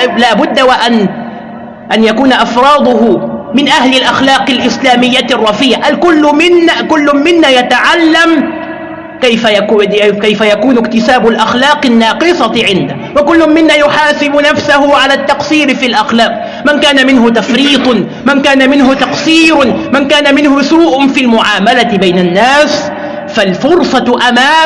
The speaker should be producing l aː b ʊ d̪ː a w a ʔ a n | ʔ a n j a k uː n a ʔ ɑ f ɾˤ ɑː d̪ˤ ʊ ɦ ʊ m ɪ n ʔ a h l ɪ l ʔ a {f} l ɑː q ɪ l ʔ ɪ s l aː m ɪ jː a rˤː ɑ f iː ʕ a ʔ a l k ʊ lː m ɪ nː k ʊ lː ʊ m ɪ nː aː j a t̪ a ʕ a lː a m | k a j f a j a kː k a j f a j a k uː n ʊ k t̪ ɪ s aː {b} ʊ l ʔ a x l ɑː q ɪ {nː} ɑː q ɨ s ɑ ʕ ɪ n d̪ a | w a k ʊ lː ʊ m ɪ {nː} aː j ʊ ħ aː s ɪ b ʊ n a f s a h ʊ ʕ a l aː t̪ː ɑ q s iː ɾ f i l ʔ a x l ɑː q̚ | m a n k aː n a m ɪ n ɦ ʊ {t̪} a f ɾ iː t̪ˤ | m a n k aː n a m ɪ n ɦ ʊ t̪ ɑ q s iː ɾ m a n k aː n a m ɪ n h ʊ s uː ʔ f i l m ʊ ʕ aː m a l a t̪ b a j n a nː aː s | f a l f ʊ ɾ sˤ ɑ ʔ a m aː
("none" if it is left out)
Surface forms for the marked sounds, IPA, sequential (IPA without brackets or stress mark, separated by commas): x, b, nː, nː, t̪